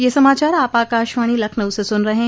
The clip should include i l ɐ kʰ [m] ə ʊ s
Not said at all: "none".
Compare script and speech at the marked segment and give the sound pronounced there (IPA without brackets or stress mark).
n